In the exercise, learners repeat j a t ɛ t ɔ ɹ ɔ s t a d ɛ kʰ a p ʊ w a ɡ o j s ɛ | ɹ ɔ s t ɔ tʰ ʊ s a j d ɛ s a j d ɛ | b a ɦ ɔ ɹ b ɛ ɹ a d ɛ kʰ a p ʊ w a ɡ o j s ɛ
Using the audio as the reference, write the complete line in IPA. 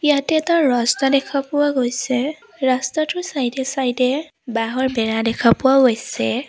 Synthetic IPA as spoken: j a t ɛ t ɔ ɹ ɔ s t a d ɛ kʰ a p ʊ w a ɡ o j s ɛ | ɹ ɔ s t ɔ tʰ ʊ s a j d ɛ s a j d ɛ | b a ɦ ɔ ɹ b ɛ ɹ a d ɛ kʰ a p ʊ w a ɡ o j s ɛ